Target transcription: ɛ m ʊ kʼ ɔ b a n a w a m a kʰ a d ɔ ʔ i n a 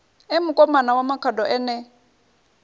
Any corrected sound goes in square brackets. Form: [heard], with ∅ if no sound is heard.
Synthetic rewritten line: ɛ m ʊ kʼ ɔ [m] a n a w a m a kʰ a d ɔ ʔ [ɛ] n [ɛ]